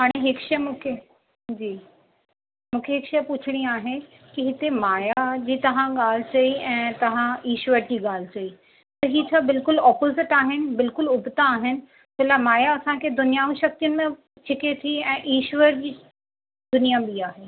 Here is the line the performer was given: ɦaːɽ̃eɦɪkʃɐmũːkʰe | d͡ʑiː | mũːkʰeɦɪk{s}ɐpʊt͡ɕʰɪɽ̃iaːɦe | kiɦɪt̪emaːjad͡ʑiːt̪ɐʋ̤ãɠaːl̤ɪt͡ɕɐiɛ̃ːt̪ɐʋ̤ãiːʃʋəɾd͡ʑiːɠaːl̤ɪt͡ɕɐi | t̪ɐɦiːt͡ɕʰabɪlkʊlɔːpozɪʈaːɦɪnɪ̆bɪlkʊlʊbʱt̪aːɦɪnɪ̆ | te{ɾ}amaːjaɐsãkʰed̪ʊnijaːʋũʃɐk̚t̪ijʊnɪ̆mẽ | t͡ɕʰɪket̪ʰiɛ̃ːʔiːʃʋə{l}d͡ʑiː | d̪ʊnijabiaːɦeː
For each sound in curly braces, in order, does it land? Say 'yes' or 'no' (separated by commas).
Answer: no, no, no